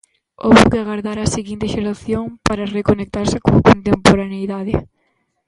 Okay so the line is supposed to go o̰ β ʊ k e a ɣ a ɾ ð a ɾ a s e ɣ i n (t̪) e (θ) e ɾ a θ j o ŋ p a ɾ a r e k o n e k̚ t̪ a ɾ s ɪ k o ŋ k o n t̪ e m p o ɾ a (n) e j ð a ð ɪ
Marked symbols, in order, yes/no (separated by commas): yes, no, yes